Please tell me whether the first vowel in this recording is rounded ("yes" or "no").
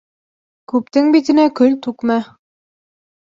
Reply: yes